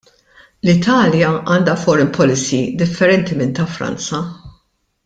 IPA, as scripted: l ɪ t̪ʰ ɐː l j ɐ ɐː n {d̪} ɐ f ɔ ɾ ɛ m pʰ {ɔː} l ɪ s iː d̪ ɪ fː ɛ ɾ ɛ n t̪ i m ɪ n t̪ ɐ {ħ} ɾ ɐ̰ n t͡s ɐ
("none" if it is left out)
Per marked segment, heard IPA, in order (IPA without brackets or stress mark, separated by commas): d̪, ɔ, f